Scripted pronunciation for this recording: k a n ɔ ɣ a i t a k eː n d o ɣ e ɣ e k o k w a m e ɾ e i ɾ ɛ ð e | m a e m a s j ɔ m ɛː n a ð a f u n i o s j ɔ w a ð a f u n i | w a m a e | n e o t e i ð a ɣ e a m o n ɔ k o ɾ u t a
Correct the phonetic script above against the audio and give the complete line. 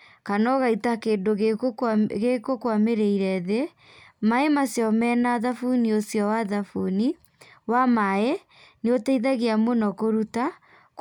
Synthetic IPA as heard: k a n ɔ ɣ a i t a k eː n d o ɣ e ɣ e k o k w a m e ɾ e i ɾ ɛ ð e | m a e m a s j ɔ m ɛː n a ð a f u n i o s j ɔ w a ð a f u n i | w a m a e | n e o t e i ð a ɣ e a m o n ɔ k o ɾ u t a

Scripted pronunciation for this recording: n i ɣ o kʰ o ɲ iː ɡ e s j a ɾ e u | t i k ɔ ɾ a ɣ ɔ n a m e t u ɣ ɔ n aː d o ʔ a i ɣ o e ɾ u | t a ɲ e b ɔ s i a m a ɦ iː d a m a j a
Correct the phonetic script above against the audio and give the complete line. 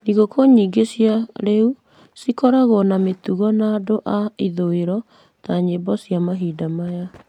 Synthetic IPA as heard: n i ɣ o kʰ o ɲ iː ɡ e s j a ɾ e u | s i k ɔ ɾ a ɣ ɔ n a m e t u ɣ ɔ n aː d o ʔ a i ð o e ɾ ɔ | t a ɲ e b ɔ s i a m a ɦ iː d a m a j a

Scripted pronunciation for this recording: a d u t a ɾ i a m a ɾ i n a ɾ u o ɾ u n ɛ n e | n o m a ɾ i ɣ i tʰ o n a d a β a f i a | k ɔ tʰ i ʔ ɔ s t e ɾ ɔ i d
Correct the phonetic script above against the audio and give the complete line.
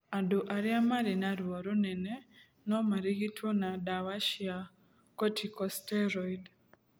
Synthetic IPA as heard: a d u ʔ a ɾ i a m a ɾ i n a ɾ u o ɾ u n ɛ n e | n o m a ɾ i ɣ i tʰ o n a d a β a ʃ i a | k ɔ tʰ i k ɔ s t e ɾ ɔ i d

